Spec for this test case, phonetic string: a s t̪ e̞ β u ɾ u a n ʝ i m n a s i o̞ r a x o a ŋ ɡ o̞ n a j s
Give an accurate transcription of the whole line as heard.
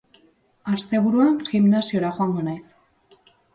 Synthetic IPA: a s t̪ e̞ β u ɾ u a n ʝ i m n a s i o̞ ɾ a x o a ŋ ɡ o̞ n a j s